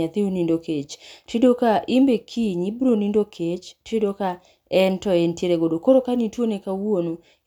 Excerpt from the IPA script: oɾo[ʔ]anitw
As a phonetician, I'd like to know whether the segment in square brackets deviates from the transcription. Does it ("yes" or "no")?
yes